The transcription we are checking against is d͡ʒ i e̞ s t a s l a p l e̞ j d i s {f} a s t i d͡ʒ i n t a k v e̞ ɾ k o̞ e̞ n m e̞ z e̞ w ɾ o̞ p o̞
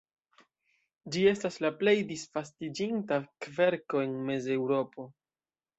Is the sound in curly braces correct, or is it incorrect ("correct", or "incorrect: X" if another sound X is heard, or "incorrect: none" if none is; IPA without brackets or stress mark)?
correct